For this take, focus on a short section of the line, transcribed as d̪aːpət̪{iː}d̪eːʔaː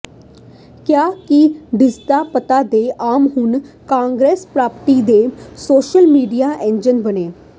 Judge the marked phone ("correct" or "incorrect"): incorrect